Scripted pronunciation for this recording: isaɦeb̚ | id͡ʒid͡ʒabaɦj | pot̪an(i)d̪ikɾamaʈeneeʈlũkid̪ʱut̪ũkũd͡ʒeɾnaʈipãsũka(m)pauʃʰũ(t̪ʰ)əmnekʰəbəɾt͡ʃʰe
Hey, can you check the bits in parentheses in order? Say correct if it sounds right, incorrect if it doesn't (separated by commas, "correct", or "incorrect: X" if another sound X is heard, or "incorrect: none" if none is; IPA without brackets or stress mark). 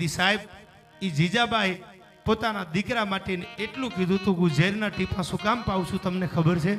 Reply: incorrect: a, correct, incorrect: t̪